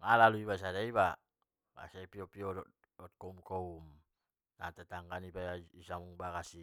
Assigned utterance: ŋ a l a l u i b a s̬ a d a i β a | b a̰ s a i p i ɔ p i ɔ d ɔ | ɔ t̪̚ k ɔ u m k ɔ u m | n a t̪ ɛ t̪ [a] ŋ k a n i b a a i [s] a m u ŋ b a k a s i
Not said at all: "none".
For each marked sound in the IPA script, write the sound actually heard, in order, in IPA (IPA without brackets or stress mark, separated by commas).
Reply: a, s